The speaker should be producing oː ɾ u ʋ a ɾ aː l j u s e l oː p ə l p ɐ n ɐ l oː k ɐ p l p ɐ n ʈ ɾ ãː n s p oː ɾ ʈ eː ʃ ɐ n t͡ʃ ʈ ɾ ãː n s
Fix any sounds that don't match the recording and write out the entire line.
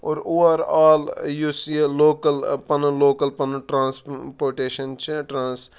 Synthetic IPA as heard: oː ɾ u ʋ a ɾ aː l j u s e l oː k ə l p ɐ n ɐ l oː k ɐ l p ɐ n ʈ ɾ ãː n s p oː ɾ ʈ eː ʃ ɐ n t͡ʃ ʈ ɾ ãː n s